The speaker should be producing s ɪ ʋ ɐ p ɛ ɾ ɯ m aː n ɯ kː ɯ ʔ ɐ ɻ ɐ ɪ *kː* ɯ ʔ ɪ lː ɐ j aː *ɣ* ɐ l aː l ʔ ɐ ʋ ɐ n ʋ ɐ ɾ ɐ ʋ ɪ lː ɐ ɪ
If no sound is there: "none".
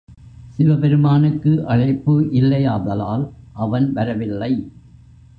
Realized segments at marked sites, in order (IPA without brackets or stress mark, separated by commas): pː, ð